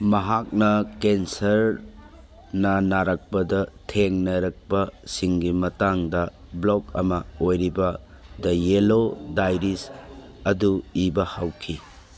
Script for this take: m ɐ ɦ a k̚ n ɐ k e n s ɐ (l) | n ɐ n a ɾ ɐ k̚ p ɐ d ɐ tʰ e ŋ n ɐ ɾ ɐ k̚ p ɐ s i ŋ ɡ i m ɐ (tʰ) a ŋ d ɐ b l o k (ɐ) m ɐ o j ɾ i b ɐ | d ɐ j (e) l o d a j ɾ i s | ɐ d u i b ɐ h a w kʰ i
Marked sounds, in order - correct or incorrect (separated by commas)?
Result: incorrect, incorrect, correct, correct